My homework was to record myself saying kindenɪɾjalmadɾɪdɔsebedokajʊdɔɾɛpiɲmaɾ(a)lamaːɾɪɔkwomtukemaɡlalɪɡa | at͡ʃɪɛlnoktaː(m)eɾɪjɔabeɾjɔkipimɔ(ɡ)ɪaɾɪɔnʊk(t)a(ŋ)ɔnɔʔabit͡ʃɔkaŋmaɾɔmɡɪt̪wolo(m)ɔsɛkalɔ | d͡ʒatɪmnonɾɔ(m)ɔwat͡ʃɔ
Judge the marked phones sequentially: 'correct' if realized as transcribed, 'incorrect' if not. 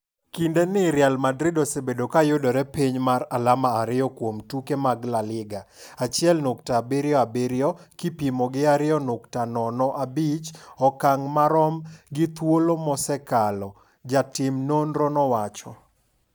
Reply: correct, incorrect, correct, correct, incorrect, correct, incorrect

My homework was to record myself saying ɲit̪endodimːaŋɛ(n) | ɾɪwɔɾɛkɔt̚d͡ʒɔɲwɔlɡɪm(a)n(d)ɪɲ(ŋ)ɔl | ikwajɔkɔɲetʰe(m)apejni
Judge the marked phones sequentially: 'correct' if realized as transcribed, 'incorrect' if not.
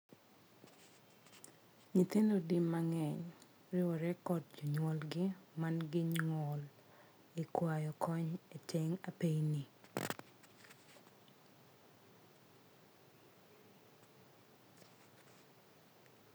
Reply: incorrect, correct, incorrect, correct, incorrect

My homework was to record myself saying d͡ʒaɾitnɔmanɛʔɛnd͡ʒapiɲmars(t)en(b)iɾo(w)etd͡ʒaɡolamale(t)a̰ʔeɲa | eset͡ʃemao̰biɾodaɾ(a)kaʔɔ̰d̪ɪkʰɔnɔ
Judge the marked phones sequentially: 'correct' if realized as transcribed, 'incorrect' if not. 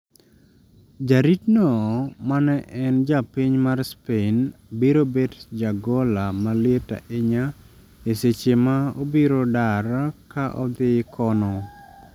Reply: incorrect, correct, incorrect, correct, correct

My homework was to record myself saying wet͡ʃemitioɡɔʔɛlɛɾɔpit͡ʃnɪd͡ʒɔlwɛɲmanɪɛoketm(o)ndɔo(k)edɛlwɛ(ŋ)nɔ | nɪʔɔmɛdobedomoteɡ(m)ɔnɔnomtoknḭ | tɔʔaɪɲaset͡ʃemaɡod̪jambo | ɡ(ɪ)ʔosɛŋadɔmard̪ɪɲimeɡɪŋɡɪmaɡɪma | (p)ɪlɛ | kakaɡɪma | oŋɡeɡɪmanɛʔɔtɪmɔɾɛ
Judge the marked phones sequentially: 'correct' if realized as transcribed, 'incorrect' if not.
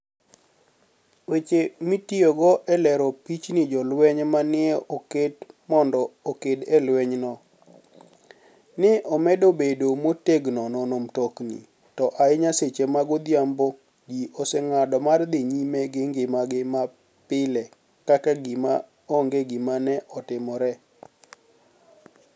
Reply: incorrect, correct, incorrect, incorrect, incorrect, correct

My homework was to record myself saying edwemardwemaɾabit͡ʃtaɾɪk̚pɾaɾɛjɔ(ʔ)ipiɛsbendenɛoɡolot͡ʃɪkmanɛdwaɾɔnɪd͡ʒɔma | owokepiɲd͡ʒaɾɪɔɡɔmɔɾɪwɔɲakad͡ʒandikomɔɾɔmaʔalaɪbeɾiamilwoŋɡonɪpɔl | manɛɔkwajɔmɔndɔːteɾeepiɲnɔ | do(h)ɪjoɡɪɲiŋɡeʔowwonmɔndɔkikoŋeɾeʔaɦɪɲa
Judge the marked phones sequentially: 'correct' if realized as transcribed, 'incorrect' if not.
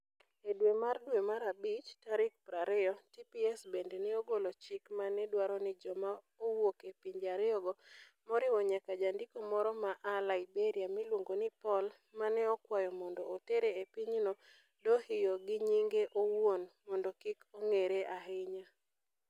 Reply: incorrect, correct

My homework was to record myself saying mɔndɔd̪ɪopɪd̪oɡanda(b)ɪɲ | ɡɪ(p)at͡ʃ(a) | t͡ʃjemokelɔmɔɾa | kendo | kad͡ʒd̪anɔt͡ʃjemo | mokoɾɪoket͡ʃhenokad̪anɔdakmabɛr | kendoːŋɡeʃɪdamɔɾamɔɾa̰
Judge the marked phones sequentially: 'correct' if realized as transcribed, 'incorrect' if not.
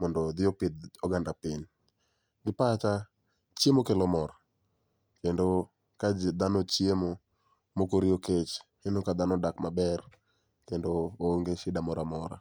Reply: incorrect, correct, correct

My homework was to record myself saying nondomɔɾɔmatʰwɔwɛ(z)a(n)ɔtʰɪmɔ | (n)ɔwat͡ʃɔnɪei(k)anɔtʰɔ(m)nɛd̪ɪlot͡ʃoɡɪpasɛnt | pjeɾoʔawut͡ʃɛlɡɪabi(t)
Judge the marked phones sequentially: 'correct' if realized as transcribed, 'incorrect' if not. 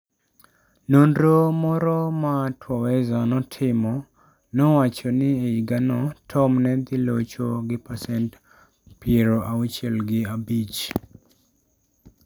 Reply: correct, correct, correct, incorrect, correct, incorrect

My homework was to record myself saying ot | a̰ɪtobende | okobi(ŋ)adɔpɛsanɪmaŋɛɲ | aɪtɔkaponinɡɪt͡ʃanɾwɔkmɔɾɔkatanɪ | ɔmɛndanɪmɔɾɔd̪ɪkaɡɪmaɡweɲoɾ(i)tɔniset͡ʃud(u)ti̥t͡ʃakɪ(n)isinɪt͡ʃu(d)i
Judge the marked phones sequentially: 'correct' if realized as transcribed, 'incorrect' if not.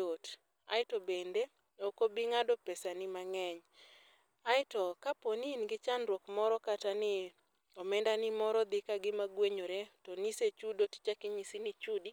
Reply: correct, incorrect, incorrect, incorrect, correct

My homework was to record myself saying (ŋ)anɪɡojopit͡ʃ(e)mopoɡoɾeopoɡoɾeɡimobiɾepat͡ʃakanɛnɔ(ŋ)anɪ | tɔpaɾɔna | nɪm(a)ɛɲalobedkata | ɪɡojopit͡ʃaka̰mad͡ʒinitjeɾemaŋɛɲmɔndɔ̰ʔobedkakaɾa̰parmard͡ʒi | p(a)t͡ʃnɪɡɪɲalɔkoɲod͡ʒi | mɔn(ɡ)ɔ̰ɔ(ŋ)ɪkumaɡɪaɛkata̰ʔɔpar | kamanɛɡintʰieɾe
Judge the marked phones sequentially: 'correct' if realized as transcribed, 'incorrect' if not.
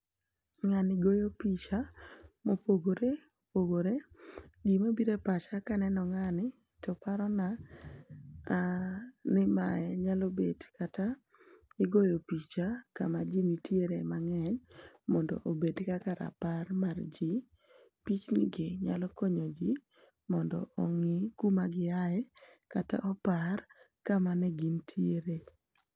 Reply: correct, incorrect, correct, correct, incorrect, incorrect, correct

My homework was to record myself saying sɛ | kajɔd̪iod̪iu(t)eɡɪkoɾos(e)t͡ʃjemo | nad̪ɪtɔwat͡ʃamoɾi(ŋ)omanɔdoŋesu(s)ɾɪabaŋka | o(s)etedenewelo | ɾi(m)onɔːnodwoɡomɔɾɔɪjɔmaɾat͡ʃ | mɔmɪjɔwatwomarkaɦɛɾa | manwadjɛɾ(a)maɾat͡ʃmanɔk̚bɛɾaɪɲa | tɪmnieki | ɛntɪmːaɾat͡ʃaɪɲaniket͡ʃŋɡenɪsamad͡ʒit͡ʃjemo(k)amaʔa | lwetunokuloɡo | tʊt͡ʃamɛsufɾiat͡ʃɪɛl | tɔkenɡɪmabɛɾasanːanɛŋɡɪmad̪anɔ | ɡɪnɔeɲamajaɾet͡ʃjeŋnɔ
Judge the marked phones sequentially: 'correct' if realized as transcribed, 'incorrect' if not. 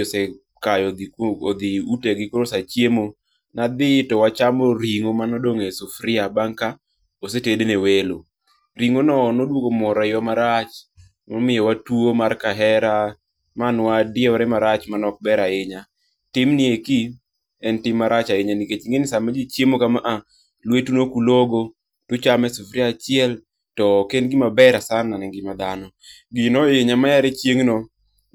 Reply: correct, incorrect, correct, incorrect, correct, incorrect, incorrect, correct

